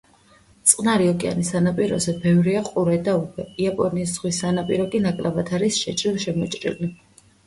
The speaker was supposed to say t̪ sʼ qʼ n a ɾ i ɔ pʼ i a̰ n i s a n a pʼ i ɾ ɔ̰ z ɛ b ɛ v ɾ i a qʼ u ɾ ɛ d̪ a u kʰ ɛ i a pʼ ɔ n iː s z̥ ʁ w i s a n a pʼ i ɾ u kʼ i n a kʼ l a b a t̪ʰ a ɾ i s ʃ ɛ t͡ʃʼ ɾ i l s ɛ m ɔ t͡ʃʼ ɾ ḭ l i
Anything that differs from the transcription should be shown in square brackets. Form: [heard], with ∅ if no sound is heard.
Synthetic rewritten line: t̪ sʼ qʼ n a ɾ i ɔ [kʼ] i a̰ n i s a n a pʼ i ɾ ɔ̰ z ɛ b ɛ v ɾ i a qʼ u ɾ ɛ d̪ a u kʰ ɛ i a pʼ ɔ n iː s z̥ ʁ w i s a n a pʼ i ɾ [ɔ] kʼ i n a kʼ l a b a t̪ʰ a ɾ i s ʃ ɛ t͡ʃʼ ɾ i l [ʃ] ɛ m ɔ t͡ʃʼ ɾ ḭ l i